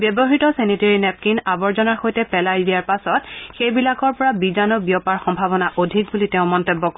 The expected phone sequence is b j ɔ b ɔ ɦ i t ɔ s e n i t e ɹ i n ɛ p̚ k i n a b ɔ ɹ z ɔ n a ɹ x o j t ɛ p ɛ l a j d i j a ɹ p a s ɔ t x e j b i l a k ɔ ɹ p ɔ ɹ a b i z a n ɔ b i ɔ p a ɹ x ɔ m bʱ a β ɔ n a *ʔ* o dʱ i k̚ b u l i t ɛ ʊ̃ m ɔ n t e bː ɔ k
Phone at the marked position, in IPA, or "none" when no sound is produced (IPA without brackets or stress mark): ʔ